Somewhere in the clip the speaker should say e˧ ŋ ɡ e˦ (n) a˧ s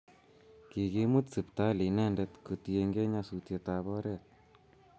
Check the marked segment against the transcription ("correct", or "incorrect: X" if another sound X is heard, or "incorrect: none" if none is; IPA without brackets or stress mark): incorrect: ɲ